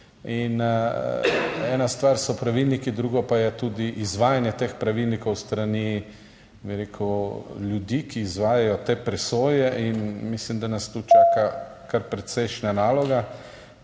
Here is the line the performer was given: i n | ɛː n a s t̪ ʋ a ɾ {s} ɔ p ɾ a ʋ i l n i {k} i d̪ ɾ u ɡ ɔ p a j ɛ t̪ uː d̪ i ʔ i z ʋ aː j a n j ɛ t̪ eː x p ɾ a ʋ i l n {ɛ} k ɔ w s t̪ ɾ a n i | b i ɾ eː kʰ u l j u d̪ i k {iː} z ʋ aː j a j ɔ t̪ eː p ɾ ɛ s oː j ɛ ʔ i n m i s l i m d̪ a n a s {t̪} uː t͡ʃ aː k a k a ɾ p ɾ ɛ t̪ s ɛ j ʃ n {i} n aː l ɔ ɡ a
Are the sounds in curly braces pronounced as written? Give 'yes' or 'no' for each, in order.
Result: yes, yes, no, yes, yes, no

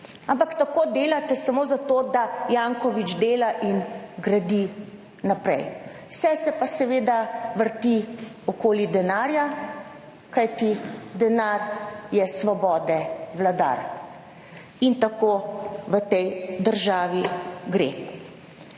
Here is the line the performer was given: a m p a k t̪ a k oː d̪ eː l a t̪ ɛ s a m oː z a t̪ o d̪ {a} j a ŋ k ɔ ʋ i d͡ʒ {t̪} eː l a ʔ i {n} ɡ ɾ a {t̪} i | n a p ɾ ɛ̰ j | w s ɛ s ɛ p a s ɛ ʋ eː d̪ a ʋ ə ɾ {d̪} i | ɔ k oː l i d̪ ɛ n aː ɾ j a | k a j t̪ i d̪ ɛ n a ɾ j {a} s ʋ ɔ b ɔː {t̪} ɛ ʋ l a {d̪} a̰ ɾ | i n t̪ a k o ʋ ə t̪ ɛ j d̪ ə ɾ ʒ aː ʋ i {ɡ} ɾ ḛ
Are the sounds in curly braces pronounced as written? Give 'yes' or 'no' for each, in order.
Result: yes, no, yes, no, no, no, no, yes, yes

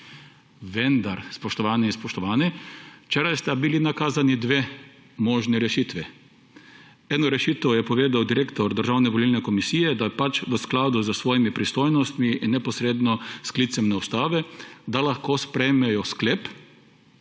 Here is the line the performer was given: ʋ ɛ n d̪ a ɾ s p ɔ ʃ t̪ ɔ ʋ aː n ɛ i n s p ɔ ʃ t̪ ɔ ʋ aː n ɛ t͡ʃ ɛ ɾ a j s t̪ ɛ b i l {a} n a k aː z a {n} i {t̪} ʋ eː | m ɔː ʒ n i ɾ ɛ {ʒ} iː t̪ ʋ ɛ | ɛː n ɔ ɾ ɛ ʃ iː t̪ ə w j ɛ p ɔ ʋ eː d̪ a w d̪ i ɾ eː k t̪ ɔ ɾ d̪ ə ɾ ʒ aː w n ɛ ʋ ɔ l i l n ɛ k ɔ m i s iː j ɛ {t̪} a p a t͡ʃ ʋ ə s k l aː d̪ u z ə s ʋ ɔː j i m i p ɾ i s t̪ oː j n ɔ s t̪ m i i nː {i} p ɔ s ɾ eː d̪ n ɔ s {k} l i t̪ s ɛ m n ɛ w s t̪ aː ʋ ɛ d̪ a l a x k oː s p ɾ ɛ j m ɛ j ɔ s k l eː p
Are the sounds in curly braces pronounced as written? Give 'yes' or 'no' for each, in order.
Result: no, yes, no, no, no, no, yes

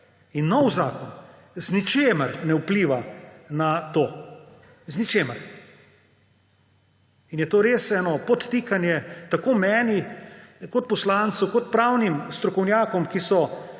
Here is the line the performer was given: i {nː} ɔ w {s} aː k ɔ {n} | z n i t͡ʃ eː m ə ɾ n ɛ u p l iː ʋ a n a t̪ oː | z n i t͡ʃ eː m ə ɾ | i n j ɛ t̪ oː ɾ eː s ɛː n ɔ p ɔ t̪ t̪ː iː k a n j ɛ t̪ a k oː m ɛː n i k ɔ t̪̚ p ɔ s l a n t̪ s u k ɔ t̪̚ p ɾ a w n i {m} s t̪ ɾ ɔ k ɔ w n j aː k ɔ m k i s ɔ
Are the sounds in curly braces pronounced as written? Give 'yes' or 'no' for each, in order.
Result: yes, no, yes, yes

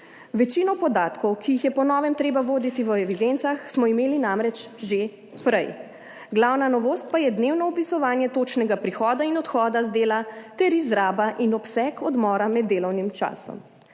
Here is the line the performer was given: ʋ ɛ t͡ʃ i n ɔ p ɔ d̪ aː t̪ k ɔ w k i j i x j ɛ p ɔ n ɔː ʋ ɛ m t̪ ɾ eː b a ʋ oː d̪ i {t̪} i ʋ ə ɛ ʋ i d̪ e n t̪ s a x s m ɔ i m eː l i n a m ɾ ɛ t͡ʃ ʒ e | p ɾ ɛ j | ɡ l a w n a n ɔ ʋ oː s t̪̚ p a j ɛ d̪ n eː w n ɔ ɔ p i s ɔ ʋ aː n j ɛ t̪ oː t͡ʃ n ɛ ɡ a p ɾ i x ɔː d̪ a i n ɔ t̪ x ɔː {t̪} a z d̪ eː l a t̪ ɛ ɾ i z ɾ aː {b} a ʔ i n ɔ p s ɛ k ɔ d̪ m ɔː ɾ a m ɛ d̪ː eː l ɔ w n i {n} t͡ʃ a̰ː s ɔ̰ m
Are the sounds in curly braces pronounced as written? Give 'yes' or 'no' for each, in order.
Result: yes, no, yes, no

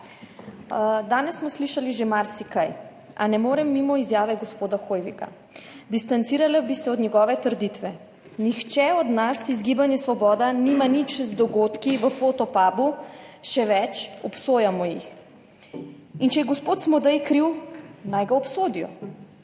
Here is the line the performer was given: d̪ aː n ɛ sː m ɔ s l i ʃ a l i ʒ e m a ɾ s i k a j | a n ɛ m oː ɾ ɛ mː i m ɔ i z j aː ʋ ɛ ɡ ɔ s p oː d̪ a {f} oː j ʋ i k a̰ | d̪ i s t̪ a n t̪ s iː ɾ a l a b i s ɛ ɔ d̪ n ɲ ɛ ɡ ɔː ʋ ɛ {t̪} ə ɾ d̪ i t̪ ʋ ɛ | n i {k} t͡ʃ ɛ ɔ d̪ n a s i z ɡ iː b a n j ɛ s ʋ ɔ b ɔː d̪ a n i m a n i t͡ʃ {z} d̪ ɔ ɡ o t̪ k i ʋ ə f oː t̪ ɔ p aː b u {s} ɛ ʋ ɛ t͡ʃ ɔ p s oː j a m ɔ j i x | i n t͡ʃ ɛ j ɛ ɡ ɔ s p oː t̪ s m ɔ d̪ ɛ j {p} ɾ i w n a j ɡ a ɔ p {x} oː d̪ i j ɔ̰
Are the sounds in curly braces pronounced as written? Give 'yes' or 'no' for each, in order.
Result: no, yes, no, yes, no, no, no

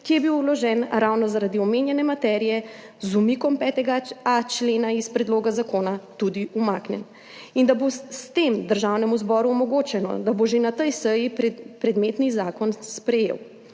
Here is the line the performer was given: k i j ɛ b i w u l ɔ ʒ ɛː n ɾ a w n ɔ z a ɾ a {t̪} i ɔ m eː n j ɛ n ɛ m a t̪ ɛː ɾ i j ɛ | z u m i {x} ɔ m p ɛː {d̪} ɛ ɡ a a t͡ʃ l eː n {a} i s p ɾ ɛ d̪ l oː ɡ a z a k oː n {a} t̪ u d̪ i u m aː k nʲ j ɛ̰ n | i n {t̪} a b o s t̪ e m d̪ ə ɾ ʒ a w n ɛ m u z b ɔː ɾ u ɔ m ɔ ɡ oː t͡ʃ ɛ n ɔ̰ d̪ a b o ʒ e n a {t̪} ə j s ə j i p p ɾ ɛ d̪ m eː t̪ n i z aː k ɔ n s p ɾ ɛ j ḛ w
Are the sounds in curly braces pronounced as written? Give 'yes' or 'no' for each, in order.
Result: no, no, no, yes, yes, no, yes

